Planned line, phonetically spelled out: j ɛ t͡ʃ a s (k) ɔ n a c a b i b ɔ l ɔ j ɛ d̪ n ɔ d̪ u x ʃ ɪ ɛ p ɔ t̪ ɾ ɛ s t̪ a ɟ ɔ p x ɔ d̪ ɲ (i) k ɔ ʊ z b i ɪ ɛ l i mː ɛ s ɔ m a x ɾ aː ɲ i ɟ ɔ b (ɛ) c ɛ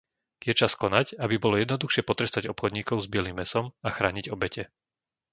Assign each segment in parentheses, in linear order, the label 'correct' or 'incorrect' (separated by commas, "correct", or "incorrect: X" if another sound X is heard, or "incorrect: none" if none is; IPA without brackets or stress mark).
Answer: correct, incorrect: iː, correct